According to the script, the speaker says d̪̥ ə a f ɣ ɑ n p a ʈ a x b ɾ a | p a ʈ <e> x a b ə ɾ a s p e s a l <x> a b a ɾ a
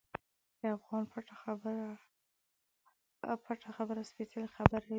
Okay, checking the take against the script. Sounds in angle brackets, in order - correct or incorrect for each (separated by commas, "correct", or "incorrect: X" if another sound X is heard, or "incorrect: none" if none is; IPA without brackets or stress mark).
incorrect: a, correct